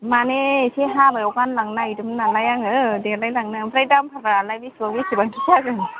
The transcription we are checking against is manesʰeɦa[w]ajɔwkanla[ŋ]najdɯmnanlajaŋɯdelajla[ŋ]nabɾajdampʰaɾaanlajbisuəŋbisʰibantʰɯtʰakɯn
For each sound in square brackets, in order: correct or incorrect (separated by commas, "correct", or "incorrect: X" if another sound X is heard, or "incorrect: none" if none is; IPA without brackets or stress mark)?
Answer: incorrect: b, correct, correct